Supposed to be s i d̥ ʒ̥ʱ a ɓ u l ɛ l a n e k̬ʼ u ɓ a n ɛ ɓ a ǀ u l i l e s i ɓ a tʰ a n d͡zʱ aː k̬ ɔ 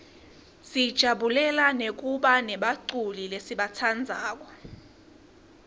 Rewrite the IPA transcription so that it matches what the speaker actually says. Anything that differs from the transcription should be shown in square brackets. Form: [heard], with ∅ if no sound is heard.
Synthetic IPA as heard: s i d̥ ʒ̥ʱ a ɓ u l ɛ l a n e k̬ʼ u ɓ a n ɛ ɓ a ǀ u l i l e s i ɓ a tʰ a n d͡zʱ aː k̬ ɔ